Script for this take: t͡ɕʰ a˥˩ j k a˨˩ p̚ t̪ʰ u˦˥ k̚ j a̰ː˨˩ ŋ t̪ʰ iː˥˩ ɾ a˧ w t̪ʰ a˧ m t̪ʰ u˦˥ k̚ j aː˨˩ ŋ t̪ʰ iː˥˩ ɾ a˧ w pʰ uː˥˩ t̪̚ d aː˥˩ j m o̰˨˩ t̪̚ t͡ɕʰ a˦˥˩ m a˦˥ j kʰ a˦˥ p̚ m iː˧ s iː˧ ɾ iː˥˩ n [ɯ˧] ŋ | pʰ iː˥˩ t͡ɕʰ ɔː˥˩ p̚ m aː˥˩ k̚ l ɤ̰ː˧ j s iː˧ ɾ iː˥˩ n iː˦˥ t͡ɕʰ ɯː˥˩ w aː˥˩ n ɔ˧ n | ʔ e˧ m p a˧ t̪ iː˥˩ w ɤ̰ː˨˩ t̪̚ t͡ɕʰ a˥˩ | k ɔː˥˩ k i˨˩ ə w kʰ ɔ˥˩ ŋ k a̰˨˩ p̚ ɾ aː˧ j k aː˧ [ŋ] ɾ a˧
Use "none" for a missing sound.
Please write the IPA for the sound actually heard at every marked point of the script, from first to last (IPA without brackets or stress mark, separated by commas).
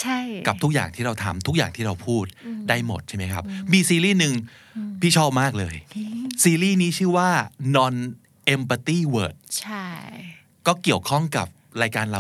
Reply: ɯ˧, n